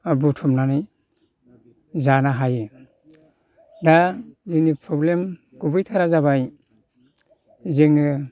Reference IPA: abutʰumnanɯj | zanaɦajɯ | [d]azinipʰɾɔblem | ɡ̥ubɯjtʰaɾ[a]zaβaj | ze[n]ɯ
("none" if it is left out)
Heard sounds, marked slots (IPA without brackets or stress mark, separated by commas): d, a, ŋ